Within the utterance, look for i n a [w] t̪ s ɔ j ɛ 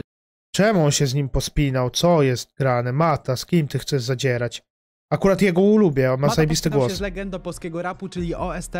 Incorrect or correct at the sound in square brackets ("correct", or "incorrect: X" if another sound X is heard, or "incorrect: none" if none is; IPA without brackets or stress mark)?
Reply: correct